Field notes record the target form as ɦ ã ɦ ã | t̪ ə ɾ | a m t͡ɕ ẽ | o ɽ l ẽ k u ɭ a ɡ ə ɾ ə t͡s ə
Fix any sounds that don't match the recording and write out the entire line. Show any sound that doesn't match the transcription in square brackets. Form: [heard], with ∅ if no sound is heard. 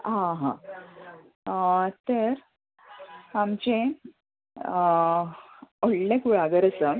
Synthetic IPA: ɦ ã ɦ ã | t̪ ə ɾ | a m t͡ɕ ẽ | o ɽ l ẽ k u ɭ a ɡ ə ɾ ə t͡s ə